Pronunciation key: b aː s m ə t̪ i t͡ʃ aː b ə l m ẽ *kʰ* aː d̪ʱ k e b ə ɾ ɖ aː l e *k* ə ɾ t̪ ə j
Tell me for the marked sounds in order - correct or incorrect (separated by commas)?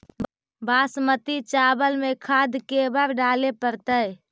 correct, incorrect